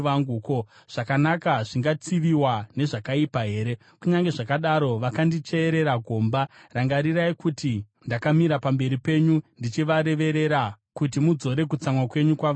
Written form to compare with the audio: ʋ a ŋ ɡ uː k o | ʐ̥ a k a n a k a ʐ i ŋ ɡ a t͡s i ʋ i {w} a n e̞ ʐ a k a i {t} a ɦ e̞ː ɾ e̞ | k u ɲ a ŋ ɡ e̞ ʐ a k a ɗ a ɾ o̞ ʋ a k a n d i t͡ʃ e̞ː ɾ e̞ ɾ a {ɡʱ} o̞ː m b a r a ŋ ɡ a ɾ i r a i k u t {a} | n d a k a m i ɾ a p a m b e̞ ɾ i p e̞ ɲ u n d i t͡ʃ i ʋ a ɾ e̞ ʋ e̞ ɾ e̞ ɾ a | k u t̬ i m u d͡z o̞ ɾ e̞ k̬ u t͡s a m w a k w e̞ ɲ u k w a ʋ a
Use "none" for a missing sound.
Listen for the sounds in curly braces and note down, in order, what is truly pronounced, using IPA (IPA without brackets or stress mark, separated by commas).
w, p, ɡʱ, i